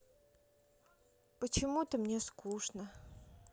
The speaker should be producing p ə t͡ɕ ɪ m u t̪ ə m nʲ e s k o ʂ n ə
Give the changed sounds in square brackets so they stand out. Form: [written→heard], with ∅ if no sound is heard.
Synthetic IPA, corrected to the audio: p ə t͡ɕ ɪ m u t̪ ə m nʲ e s k [o→u] ʂ n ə